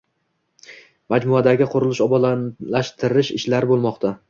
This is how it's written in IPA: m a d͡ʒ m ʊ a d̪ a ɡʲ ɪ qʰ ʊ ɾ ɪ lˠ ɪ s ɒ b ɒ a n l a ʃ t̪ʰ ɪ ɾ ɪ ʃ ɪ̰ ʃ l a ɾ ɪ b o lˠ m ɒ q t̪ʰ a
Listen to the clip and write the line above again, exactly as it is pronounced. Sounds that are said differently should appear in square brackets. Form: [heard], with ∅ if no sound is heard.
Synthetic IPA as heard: m a d͡ʒ m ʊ a d̪ a ɡʲ ɪ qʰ ʊ ɾ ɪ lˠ ɪ [ʃ] ɒ b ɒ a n l a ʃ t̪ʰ ɪ ɾ ɪ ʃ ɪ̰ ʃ l a ɾ ɪ b o lˠ m ɒ q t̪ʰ a